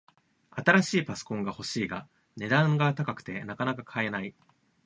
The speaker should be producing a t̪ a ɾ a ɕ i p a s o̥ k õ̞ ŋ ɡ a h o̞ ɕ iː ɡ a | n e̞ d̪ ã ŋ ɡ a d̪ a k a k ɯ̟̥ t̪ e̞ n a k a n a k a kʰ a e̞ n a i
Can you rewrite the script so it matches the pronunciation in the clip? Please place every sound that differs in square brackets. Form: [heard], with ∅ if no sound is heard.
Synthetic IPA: a t̪ a ɾ a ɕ [iː] p a s o̥ k õ̞ ŋ ɡ a h o̞ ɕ iː ɡ a | n e̞ d̪ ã ŋ ɡ a [t̪] a k a k ɯ̟̥ t̪ e̞ n a k a n a k a kʰ a e̞ n a i